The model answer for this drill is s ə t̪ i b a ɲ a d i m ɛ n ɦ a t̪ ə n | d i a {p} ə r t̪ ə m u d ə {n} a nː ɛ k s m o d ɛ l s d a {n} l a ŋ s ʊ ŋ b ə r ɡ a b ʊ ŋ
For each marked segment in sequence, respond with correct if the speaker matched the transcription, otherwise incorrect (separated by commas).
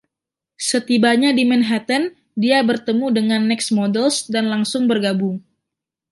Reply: incorrect, incorrect, correct